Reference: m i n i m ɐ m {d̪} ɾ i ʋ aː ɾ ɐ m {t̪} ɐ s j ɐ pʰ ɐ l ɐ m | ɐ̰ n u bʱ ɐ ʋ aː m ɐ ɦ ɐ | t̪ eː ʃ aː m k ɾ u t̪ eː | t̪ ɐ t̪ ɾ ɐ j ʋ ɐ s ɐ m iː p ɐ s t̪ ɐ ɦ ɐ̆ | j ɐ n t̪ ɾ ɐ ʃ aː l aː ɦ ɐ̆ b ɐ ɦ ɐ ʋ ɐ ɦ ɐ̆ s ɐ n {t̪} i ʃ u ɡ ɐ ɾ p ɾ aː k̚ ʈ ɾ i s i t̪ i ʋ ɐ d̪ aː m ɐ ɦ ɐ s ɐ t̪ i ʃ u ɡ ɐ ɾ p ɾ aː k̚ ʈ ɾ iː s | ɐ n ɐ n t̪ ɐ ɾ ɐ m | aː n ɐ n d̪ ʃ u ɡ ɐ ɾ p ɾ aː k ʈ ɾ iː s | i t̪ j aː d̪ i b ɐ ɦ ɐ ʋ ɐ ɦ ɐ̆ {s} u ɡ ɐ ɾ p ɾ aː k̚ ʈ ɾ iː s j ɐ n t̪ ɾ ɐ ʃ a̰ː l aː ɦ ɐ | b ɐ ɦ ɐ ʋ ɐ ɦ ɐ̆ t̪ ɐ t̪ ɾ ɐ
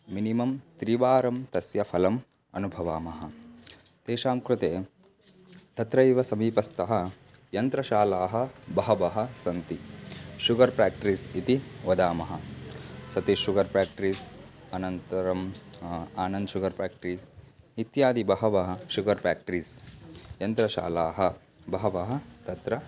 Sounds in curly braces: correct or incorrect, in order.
incorrect, correct, correct, incorrect

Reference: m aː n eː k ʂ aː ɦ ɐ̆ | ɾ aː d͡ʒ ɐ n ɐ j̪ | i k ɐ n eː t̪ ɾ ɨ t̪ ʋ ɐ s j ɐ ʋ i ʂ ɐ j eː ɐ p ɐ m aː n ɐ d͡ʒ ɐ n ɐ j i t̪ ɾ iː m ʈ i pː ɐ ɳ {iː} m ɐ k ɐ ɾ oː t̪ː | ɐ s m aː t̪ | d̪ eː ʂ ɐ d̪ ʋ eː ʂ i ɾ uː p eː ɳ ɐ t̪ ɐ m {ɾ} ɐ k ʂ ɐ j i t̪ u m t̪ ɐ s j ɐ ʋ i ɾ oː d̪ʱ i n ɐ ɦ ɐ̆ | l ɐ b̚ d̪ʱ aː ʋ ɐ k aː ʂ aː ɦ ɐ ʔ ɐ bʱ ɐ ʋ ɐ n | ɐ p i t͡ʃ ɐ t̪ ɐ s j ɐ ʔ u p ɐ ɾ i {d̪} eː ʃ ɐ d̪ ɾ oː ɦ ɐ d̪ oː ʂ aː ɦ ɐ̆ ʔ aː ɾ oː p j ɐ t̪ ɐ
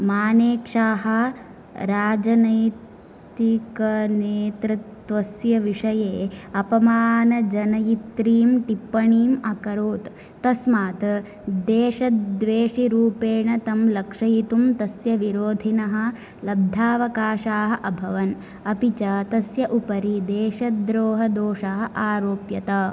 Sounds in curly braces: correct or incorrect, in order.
correct, incorrect, correct

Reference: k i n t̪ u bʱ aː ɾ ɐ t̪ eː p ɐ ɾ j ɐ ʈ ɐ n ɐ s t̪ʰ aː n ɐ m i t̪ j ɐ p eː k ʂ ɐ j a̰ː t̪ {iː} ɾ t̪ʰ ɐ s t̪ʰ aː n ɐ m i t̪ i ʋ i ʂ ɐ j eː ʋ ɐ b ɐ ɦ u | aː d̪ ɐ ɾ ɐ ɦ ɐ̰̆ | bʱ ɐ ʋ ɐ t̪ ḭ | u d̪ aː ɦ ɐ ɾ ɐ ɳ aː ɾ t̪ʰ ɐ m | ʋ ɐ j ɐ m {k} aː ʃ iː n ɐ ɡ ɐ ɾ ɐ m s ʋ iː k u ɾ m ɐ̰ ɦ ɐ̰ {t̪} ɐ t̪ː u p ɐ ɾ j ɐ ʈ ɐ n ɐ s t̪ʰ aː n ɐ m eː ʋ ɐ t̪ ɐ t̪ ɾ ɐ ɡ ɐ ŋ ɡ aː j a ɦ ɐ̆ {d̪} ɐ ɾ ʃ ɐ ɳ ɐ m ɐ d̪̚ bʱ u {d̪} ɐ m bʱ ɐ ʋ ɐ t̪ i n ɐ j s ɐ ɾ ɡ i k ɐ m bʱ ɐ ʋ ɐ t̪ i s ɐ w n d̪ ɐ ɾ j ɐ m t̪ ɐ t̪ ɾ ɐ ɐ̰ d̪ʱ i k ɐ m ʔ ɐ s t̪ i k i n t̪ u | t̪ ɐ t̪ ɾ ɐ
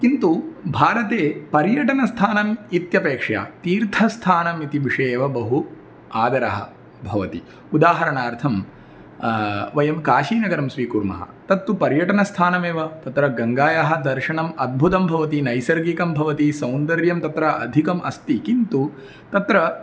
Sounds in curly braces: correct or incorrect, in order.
correct, correct, correct, correct, incorrect

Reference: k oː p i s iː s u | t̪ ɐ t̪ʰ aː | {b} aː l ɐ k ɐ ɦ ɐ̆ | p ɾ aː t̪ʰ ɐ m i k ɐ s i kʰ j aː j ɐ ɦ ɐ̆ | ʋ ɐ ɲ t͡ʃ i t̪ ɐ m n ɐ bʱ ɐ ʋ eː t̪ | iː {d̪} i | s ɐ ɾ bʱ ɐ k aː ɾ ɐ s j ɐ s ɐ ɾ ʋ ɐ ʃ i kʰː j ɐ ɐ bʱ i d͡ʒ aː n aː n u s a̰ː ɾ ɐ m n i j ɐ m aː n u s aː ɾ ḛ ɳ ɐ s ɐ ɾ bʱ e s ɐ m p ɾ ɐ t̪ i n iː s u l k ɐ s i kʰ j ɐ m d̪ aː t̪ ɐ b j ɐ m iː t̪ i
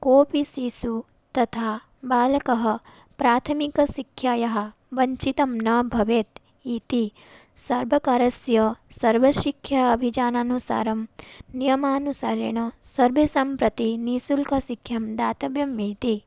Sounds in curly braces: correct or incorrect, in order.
correct, incorrect

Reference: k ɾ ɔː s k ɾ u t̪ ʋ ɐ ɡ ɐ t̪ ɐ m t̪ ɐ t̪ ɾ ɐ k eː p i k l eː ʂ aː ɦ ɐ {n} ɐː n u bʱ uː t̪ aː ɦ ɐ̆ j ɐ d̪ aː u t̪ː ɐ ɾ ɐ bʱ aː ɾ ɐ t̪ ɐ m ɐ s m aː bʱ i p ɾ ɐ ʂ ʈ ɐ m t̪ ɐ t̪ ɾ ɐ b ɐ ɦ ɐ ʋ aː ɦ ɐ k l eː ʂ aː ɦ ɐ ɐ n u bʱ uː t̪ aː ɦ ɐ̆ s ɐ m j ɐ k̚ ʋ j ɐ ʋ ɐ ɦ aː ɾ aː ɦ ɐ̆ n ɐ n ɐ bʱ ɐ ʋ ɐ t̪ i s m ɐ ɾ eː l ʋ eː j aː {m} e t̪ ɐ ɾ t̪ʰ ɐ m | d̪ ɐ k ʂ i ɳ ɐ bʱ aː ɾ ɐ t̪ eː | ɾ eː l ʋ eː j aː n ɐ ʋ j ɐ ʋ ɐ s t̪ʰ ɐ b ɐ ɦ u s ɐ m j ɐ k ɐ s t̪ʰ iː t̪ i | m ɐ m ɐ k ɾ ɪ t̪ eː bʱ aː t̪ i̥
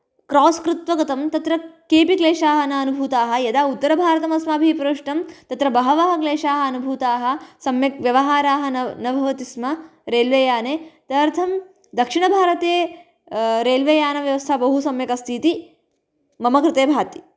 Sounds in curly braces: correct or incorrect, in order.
correct, incorrect

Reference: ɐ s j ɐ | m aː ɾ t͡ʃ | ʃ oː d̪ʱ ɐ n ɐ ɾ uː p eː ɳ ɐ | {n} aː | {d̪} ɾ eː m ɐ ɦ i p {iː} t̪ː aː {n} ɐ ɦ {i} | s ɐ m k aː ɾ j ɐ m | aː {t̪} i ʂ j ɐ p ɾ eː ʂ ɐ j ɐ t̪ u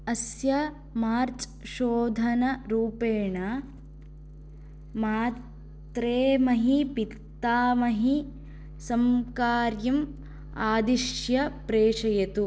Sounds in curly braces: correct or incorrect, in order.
incorrect, incorrect, incorrect, incorrect, correct, incorrect

